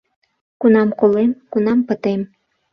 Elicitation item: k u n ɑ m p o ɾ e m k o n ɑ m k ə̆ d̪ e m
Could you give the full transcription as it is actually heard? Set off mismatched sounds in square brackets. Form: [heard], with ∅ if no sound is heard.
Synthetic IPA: k u n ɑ m [k] o [l] e m k [u] n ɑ m [p] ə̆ [t̪] e m